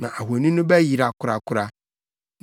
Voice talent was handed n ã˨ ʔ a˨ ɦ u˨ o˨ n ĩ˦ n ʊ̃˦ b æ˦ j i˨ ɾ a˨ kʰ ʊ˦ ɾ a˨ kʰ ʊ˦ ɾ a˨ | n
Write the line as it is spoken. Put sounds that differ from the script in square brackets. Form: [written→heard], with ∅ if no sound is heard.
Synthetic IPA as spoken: n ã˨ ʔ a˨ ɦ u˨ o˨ n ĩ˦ n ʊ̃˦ b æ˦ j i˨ ɾ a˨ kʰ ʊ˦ ɾ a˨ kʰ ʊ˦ ɾ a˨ | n

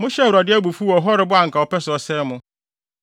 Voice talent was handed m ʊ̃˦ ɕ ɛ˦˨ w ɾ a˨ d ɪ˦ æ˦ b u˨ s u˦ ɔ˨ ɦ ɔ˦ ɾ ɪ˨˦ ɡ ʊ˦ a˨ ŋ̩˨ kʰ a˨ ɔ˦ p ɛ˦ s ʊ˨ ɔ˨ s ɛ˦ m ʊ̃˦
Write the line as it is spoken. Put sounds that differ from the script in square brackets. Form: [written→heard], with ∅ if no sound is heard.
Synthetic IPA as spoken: m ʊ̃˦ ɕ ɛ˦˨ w ɾ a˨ d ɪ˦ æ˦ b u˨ [s→f] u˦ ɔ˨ ɦ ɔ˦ ɾ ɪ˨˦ [ɡ→b] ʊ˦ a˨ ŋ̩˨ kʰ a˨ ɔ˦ p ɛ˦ s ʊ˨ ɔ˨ s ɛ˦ m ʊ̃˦

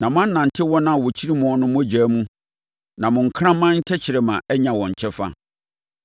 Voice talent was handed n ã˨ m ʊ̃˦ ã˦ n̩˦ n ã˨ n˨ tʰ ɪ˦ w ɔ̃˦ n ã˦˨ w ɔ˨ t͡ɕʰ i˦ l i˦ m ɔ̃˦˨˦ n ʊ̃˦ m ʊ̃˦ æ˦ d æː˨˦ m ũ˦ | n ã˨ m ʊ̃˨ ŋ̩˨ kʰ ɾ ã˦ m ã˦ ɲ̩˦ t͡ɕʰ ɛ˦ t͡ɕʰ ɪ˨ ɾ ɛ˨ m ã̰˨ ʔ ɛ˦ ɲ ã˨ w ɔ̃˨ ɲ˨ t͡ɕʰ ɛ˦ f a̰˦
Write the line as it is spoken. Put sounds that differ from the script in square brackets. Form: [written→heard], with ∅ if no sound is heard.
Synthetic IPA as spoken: n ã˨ m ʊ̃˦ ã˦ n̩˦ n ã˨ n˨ tʰ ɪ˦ w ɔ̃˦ n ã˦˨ w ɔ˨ t͡ɕʰ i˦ [l→ɾ] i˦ m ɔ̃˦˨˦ n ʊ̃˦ m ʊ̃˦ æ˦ [d→d͡ʑ] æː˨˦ m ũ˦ | n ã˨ m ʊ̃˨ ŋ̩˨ kʰ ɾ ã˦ m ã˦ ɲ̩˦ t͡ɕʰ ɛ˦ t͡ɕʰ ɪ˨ ɾ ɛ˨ m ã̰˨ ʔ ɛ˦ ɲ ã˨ w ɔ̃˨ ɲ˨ t͡ɕʰ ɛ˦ f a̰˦

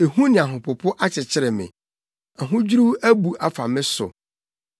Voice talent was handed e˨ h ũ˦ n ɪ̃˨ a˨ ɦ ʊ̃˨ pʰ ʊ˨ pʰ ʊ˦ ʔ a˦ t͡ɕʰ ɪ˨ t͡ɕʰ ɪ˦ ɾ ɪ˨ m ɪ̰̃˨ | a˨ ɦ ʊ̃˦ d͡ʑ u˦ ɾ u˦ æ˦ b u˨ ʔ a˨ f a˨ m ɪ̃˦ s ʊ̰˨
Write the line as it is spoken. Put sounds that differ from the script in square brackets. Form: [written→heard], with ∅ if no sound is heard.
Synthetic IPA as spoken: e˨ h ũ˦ n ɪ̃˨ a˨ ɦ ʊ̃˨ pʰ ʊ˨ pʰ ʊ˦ ʔ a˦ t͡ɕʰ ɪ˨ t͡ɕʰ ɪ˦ ɾ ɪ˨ m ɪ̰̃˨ | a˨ ɦ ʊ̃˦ d͡ʑ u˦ ɾ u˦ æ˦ b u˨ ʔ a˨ f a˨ m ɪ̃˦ s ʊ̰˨

